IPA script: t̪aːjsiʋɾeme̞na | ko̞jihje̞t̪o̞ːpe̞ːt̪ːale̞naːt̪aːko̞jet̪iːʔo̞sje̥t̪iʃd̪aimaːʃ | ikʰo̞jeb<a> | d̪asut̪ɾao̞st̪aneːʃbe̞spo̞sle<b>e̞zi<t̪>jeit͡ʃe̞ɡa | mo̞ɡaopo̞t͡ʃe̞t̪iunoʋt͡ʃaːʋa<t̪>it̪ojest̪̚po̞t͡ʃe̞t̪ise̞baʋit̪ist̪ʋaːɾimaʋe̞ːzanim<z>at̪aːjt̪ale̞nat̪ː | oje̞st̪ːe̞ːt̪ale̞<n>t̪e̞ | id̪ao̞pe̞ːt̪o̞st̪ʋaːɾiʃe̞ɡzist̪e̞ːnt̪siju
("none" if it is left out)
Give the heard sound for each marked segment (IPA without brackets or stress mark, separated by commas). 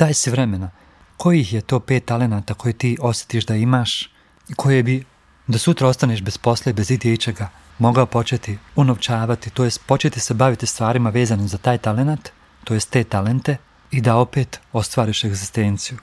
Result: i, b, d̪, t̪, z, n